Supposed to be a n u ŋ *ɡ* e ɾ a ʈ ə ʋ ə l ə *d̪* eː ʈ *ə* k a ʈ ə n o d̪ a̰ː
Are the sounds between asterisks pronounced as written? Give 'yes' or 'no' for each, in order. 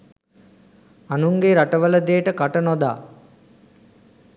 yes, yes, yes

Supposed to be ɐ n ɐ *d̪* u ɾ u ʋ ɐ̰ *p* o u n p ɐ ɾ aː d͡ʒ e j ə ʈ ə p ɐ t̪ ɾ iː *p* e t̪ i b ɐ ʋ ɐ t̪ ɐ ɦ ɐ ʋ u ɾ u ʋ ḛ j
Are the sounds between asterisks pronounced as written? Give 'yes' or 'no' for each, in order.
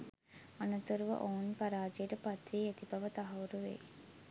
no, no, no

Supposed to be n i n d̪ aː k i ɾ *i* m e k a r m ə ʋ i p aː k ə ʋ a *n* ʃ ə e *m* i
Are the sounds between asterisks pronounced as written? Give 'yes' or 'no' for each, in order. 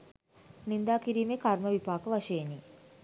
no, no, no

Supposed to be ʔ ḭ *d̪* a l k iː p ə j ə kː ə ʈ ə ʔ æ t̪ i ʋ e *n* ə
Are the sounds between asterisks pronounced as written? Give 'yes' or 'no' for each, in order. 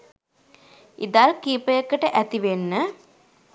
yes, no

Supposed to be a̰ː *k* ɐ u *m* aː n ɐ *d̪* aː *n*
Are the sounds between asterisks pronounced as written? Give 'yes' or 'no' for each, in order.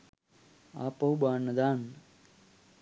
no, no, yes, yes

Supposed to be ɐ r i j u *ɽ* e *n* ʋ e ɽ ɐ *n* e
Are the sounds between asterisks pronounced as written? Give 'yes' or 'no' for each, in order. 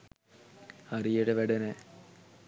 yes, no, yes

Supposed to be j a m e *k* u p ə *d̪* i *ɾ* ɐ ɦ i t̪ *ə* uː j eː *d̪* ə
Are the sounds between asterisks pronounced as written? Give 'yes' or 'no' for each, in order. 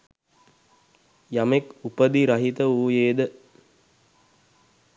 yes, yes, yes, yes, yes

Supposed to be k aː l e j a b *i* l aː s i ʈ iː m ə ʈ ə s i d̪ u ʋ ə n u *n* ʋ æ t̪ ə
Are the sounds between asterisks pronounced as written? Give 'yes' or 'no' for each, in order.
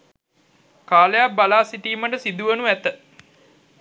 no, no

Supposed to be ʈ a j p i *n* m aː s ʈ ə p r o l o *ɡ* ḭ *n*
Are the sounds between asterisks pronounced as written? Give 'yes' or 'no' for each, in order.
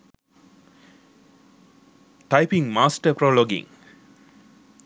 no, yes, no

